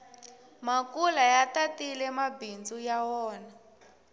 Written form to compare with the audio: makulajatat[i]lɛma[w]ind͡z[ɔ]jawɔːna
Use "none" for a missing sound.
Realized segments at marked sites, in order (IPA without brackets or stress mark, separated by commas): i, b, u